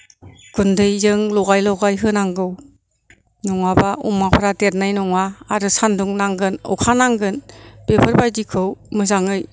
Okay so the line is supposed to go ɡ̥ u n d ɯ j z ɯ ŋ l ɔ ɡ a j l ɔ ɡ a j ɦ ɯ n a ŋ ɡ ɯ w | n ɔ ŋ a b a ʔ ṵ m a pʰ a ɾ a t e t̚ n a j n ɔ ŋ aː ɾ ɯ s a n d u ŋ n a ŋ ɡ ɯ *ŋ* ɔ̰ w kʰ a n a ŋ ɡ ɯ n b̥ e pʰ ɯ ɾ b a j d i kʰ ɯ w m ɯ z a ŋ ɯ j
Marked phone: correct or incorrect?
incorrect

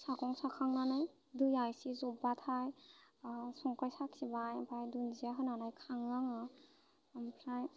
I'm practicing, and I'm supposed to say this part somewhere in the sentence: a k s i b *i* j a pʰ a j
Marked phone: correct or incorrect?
incorrect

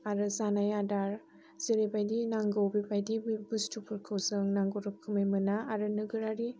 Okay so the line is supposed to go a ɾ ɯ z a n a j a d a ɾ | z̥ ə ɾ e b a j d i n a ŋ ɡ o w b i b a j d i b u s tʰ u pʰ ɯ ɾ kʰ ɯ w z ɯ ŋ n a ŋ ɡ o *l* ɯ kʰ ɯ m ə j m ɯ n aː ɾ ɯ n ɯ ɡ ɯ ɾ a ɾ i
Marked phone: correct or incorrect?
incorrect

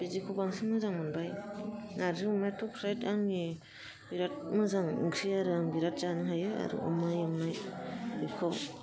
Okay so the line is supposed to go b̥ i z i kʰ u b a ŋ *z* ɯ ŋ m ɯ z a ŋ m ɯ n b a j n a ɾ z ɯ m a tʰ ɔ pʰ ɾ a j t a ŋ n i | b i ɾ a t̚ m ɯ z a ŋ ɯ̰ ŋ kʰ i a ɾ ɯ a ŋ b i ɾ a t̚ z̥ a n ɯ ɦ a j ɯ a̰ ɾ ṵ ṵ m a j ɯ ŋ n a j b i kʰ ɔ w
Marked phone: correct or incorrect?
incorrect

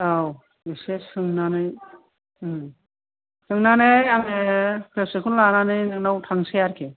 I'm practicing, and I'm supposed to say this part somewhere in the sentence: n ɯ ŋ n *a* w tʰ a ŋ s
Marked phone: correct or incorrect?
correct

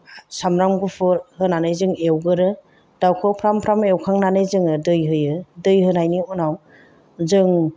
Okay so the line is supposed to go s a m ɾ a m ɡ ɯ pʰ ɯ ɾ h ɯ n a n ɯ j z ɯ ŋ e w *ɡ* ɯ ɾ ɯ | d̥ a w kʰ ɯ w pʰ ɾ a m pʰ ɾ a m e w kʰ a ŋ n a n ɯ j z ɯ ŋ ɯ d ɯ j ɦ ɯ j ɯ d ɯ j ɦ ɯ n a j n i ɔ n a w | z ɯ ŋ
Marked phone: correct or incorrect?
correct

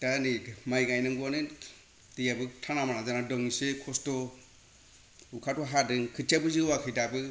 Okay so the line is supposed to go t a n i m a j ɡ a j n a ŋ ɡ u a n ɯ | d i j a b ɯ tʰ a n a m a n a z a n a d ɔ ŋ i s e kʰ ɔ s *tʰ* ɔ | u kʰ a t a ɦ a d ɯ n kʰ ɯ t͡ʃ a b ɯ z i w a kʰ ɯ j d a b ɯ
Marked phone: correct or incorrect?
incorrect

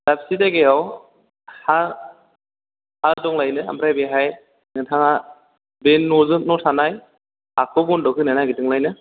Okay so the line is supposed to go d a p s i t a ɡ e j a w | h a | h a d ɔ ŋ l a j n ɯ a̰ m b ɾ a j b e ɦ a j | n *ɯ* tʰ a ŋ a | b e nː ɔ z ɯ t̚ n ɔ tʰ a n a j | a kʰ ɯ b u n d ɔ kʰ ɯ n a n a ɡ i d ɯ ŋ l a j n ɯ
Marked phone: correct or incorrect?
correct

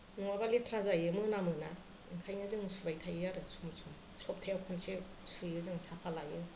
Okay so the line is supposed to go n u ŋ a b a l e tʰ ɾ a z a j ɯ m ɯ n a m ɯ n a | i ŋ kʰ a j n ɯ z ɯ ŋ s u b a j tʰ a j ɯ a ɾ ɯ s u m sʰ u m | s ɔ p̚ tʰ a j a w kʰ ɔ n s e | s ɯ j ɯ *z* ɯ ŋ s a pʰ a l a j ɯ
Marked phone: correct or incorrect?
correct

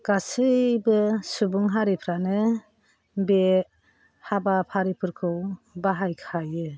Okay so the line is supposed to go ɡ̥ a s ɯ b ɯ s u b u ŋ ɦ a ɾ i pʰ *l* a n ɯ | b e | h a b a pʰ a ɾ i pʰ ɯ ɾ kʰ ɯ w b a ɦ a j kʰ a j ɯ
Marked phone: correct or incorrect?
incorrect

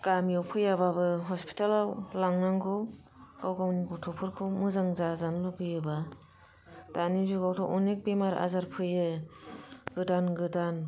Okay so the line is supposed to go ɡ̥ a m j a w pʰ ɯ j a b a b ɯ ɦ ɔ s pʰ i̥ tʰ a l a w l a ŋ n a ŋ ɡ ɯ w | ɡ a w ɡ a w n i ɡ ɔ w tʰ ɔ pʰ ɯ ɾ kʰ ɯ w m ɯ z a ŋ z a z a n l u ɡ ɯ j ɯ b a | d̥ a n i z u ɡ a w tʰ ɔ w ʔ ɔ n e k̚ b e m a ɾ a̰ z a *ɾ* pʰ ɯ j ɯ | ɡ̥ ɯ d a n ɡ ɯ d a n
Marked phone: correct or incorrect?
correct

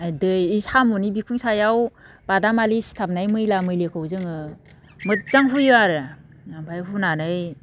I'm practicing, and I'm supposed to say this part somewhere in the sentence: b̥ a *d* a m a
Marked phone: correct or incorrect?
correct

